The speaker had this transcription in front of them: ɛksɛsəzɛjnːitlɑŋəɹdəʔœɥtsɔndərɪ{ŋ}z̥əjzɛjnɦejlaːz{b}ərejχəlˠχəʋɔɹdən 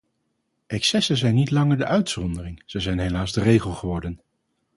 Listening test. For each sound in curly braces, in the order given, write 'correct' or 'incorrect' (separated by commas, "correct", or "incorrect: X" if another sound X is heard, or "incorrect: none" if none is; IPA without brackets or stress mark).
correct, incorrect: d